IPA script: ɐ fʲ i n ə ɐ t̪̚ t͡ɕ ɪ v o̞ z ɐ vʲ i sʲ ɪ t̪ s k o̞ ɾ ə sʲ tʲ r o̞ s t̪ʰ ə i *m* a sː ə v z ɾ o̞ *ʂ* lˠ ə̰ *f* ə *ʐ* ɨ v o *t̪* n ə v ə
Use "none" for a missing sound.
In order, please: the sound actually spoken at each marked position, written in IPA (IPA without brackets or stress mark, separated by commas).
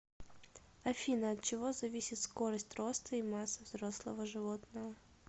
m, s, v, ʐ, t̪